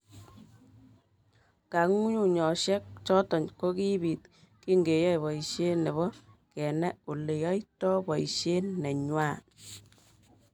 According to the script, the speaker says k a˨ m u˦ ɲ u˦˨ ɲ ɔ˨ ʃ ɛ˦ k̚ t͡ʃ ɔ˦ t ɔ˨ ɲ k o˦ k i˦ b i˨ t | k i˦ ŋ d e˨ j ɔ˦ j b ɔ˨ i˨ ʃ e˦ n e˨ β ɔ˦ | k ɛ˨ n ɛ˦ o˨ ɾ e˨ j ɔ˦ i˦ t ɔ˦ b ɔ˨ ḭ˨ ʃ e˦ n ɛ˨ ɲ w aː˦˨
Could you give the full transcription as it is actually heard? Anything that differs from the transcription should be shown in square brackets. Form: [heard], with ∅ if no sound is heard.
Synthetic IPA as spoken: k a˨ [ŋ] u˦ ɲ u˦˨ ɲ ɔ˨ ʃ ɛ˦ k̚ t͡ʃ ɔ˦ t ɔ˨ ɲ k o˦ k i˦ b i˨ t | k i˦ ŋ [ɡ] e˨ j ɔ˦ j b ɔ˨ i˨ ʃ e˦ n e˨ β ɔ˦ | k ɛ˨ n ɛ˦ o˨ [l] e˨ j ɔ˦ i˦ t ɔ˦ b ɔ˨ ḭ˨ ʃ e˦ n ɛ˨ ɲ w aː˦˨